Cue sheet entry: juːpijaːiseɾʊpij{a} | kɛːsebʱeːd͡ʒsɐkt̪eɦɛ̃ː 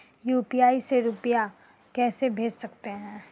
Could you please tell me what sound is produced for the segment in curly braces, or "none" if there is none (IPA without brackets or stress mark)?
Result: a